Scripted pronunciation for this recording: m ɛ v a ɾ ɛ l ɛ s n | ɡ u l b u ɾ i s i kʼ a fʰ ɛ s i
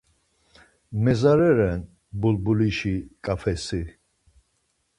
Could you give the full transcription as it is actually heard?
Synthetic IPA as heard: m ɛ z a ɾ ɛ ɾ ɛ n | b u l b u l i ʃ i kʼ a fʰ ɛ s i